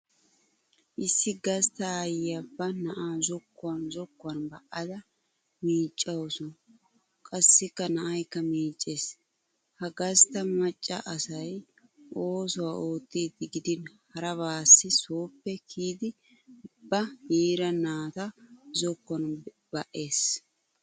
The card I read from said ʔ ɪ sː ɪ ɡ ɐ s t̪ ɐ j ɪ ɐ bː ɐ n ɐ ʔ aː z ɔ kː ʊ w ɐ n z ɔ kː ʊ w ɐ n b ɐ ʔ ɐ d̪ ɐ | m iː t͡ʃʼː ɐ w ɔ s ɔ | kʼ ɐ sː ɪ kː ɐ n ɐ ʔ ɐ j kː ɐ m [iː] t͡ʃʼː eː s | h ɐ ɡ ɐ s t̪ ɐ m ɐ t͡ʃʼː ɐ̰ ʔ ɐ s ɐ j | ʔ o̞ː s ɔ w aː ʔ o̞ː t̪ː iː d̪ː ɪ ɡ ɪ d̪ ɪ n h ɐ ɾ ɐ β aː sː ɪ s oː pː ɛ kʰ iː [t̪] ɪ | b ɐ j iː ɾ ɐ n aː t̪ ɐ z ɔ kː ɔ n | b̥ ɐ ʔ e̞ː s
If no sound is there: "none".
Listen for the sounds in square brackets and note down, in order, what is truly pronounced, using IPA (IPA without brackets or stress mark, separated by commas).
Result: iː, d̪